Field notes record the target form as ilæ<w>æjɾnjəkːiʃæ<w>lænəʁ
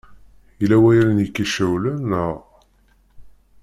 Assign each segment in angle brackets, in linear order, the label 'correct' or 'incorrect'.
correct, correct

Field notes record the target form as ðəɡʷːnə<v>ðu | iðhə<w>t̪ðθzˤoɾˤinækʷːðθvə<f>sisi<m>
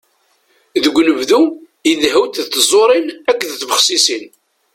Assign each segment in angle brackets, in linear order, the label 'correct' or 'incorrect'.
correct, correct, incorrect: χ, incorrect: n

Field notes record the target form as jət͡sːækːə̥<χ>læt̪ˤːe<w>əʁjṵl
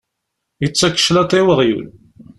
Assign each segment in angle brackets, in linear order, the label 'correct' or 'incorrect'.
incorrect: ʃ, correct

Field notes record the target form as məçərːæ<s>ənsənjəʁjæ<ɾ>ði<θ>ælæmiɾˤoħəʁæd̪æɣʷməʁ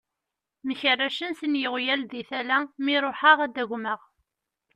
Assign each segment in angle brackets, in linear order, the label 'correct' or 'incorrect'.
incorrect: ʃ, incorrect: l, correct

